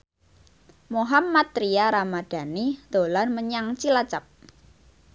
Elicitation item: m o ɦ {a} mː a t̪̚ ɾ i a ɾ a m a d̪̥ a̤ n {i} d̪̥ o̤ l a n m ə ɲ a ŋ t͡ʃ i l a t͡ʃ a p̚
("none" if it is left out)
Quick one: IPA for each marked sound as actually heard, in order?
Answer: a, i

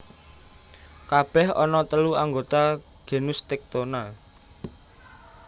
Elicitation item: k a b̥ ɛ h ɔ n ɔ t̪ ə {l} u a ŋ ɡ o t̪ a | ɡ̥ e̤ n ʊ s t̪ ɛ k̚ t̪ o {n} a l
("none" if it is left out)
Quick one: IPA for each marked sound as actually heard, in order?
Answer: l, n

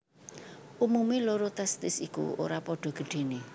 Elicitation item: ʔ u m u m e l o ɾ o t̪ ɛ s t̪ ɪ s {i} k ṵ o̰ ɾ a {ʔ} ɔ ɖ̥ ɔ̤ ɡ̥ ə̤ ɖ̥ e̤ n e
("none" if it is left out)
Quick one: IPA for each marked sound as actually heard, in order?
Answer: i, p

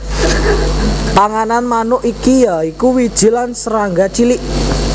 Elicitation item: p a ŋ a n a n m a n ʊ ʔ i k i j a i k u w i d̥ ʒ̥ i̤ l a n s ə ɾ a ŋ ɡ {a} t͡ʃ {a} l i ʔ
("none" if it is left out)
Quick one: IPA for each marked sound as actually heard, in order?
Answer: a, i

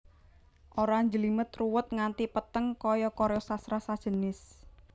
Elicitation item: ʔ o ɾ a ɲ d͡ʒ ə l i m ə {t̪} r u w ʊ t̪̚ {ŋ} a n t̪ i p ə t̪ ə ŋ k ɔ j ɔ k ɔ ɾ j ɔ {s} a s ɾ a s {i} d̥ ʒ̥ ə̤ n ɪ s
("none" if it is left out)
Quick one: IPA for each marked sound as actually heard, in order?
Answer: t̪, ŋ, s, a

